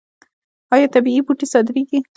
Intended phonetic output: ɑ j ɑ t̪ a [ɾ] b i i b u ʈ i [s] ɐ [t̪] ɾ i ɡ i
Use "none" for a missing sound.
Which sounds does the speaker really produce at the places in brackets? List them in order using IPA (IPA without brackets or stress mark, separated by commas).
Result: none, s, d̪